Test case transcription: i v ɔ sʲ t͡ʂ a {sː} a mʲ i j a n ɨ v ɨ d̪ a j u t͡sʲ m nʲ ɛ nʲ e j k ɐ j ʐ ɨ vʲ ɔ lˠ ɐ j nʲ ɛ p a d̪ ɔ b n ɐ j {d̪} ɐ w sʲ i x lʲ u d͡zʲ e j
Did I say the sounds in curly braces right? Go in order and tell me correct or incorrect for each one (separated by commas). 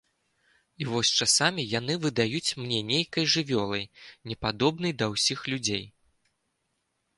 incorrect, correct